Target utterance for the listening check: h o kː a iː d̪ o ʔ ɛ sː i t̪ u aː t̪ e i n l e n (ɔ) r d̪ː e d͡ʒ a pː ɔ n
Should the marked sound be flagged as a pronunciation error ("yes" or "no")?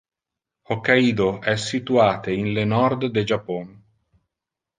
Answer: no